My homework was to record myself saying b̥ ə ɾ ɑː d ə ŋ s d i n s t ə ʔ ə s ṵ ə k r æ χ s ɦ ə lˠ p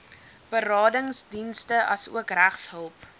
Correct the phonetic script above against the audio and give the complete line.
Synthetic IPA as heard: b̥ ə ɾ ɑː d ə ŋ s d i n s t ə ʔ ɐ s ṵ ə k r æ χ s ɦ ə lˠ p